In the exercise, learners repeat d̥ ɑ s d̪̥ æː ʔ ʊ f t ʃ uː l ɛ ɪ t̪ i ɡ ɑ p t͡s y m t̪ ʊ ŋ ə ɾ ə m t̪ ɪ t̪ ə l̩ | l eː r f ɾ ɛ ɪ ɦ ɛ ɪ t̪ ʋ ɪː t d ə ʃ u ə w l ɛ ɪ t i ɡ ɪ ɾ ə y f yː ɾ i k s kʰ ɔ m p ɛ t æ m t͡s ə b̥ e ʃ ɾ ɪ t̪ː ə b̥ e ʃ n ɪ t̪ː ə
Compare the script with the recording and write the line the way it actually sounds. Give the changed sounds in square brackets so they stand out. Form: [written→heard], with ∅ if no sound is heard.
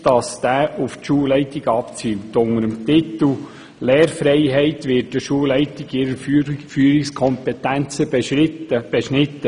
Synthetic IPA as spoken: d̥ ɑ s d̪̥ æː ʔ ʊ f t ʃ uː l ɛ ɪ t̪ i ɡ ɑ p t͡s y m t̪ ʊ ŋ ə ɾ ə m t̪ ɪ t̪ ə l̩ | l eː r f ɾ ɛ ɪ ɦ ɛ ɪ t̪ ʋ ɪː t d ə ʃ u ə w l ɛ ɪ t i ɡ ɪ ɾ ə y f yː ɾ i k s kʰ ɔ m p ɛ t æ [m→n] t͡s ə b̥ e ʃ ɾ ɪ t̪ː ə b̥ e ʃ n ɪ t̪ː ə

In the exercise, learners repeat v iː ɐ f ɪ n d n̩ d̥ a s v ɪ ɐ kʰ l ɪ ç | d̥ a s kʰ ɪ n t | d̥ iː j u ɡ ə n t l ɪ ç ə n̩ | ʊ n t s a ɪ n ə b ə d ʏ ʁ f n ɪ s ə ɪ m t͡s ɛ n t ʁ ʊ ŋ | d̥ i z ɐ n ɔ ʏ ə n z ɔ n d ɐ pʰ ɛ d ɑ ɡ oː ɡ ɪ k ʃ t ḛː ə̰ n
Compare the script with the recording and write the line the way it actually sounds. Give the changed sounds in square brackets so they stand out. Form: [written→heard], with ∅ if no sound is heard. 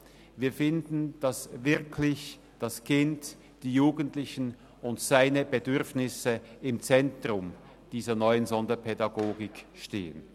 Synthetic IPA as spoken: v iː ɐ f ɪ n d n̩ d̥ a s v ɪ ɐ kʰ l ɪ ç | d̥ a s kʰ ɪ n t | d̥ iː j [u→uː] ɡ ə n t l ɪ ç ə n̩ | ʊ n t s a ɪ n ə b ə d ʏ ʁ f n ɪ s ə ɪ m t͡s ɛ n t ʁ ʊ [ŋ→m] | d̥ [i→iː] z ɐ n ɔ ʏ ə n z ɔ n d ɐ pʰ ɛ d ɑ ɡ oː ɡ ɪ k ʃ t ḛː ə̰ n

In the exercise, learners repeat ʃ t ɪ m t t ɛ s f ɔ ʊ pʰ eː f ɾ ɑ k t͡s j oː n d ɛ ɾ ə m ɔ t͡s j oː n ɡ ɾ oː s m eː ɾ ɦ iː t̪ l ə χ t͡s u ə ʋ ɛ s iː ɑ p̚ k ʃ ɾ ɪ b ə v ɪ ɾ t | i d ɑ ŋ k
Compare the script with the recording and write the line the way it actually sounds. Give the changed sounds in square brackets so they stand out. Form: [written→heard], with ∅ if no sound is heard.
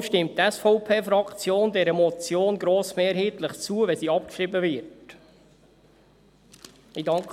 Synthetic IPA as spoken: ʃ t ɪ m t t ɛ s f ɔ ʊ pʰ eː f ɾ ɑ k t͡s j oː n d ɛ ɾ ə m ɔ t͡s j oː n ɡ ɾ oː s m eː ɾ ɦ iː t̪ l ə χ t͡s u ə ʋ ɛ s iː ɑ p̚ k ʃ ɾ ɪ b ə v ɪ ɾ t | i d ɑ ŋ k

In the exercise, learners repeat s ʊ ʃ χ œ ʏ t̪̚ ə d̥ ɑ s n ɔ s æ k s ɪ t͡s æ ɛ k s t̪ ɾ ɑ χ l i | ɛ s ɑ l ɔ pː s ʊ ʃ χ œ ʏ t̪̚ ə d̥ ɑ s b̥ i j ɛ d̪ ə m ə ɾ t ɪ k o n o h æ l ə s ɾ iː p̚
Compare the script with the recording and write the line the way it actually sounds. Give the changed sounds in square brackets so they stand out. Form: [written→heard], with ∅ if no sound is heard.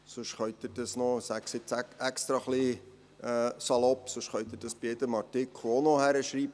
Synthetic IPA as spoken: s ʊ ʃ χ œ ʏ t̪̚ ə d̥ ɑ s n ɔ s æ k s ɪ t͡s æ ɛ k s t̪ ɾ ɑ χ l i | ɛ s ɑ l ɔ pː s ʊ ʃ χ œ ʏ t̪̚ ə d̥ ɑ s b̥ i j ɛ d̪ ə m [ə→ɑ] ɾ t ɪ k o n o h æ [l→ɾ] ə [s→ʃ] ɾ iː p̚

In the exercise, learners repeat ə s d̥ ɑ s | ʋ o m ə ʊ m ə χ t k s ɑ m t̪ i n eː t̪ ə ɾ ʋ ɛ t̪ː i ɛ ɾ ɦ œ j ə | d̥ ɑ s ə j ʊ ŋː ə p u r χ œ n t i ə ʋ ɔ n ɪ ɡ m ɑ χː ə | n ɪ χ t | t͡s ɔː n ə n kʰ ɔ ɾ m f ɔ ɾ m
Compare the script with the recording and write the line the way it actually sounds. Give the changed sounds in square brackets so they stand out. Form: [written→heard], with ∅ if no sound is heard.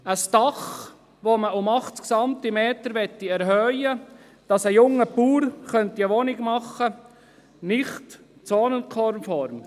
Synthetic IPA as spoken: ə s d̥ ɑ [s→χ] | ʋ o m ə ʊ m [ə→ɑ] χ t k s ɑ m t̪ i [n→m] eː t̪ ə ɾ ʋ ɛ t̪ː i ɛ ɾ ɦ œ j ə | d̥ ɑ s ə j ʊ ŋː ə p [u→uː] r χ œ n t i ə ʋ ɔ n ɪ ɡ m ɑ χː ə | n ɪ χ t | t͡s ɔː n ə n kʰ ɔ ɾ m f ɔ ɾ m

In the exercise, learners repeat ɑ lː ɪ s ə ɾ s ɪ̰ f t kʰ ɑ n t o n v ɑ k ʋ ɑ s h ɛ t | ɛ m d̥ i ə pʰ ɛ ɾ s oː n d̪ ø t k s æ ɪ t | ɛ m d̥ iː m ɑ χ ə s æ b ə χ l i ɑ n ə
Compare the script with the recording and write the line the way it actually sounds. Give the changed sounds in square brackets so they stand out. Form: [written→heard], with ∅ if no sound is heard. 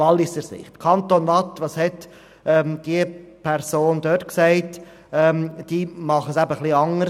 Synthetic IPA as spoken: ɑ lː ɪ s ə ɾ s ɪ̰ [f→χ] t kʰ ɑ n t o n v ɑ [k→t] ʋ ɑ s h ɛ t | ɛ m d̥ i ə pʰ ɛ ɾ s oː n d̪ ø t k s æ ɪ t | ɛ m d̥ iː m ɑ χ ə s æ b ə χ l i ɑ [n→ŋ] ə

